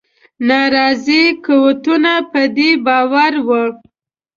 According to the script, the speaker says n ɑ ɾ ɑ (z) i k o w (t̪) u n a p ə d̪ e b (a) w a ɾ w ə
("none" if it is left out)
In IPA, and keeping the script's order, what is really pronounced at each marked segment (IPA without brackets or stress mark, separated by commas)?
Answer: z, t̪, ɑ